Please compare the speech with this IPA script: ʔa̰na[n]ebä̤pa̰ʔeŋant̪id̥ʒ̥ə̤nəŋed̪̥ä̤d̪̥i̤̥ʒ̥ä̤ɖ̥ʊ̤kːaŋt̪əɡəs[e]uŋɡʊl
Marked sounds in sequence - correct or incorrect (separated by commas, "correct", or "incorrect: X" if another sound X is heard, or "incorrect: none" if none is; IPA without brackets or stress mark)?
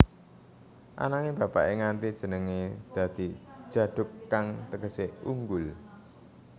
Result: incorrect: ŋ, correct